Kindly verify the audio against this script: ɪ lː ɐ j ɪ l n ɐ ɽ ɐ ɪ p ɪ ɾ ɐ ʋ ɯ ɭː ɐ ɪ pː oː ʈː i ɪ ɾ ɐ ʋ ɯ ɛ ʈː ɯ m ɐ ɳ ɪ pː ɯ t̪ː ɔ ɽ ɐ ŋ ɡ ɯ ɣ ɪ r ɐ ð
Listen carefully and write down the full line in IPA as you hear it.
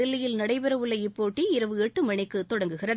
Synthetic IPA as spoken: ɪ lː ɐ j ɪ l n ɐ ɽ ɐ ɪ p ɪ ɾ ɐ ʋ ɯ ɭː ɐ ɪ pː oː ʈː i ɪ ɾ ɐ ʋ ɯ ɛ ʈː ɯ m ɐ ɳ ɪ kː ɯ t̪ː ɔ ɽ ɐ ŋ ɡ ɯ ɣ ɪ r ɐ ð

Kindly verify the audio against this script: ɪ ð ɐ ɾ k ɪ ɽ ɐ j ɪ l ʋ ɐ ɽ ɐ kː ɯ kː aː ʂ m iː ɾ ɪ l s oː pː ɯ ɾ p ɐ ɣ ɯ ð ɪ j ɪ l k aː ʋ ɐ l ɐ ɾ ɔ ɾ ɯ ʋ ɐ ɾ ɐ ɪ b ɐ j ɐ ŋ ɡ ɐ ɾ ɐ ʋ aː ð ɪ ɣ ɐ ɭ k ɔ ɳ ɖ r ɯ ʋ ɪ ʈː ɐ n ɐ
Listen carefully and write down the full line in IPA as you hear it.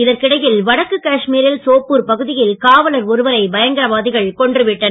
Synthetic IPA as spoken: ɪ ð ɐ ɾ k ɪ ɽ ɐ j ɪ l ʋ ɐ ɽ ɐ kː ɯ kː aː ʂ m iː ɾ ɪ l s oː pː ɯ ɾ p ɐ ɣ ɯ ð ɪ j ɪ l k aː ʋ ɐ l ɐ ɾ ɔ ɾ ɯ ʋ ɐ ɾ ɐ ɪ b ɐ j ɐ ŋ ɡ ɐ ɾ ɐ ʋ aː ð ɪ ɣ ɐ ɭ k ɔ ɳ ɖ r ɯ ʋ ɪ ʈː ɐ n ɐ

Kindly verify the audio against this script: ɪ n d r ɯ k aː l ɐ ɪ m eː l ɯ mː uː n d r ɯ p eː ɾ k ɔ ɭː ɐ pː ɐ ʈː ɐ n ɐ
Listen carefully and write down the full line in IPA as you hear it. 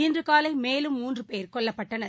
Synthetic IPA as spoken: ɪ n d r ɯ k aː l ɐ ɪ m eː l ɯ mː uː n d r ɯ p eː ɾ k ɔ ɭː ɐ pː ɐ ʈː ɐ n ɐ

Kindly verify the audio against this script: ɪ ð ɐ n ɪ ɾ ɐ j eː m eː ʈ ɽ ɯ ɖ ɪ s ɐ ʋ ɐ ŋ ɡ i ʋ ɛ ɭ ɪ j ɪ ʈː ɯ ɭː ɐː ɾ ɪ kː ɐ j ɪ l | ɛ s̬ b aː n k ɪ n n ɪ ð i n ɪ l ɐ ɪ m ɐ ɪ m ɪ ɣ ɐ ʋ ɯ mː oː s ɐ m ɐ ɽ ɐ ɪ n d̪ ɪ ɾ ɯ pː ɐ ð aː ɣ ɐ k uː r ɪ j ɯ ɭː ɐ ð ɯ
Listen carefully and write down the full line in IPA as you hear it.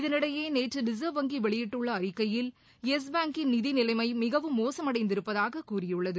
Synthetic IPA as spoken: ɪ ð ɐ n ɪ ɽ ɐ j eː n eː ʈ r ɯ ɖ ɪ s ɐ ʋ ɐ ŋ ɡ i ʋ ɛ ɭ ɪ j ɪ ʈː ɯ ɭː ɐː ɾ ɪ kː ɐ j ɪ l | ɛ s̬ b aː ŋ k ɪ n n ɪ ð i n ɪ l ɐ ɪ m ɐ ɪ m ɪ ɣ ɐ ʋ ɯ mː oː s ɐ m ɐ ɽ ɐ ɪ n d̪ ɪ ɾ ɯ pː ɐ ð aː ɣ ɐ k uː r ɪ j ɯ ɭː ɐ ð ɯ

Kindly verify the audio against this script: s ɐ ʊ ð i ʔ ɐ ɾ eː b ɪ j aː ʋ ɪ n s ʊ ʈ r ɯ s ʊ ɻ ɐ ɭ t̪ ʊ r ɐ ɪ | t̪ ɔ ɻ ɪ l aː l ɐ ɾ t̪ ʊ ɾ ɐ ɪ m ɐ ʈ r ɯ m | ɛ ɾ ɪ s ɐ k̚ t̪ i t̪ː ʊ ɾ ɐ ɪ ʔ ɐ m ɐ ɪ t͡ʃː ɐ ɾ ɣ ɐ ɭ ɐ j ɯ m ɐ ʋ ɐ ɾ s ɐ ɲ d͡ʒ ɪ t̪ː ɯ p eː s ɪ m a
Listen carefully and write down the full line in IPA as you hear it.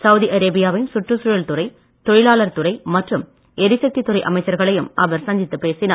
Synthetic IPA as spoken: s ɐ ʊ ð i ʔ ɐ ɾ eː b ɪ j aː ʋ ɪ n s ʊ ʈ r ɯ s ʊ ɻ ɐ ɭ t̪ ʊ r ɐ ɪ | t̪ ɔ ɻ ɪ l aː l ɐ ɾ t̪ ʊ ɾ ɐ ɪ m ɐ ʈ r ɯ m | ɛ ɾ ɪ s ɐ k̚ t̪ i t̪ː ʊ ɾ ɐ ɪ ʔ ɐ m ɐ ɪ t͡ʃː ɐ ɾ ɣ ɐ ɭ ɐ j ɯ m ɐ ʋ ɐ ɾ s ɐ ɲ d͡ʒ ɪ t̪ː ɯ p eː s ɪ n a

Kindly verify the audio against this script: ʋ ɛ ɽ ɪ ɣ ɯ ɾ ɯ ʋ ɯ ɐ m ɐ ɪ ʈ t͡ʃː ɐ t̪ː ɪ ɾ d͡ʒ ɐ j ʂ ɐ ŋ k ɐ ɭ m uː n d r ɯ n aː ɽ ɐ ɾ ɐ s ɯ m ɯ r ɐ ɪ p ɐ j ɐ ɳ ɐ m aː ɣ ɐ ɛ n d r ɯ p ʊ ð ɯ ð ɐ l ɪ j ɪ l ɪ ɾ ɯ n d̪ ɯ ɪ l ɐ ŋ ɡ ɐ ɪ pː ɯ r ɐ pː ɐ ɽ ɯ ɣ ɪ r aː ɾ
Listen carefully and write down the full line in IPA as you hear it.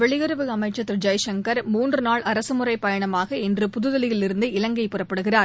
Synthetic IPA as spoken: ʋ ɛ ɭ ɪ ɣ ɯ ɾ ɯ ʋ ɯ ɐ m ɐ ɪ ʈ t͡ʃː ɐ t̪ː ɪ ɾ d͡ʒ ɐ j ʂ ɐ ŋ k ɐ ɾ m uː n d r ɯ n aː ɭ ɐ ɾ ɐ s ɯ m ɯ r ɐ ɪ p ɐ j ɐ ɳ ɐ m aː ɣ ɐ ɛ n d r ɯ p ʊ ð ɯ ð ɐ l ɪ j ɪ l ɪ ɾ ɯ n d̪ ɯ ɪ l ɐ ŋ ɡ ɐ ɪ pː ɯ r ɐ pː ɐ ɽ ɯ ɣ ɪ r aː ɾ

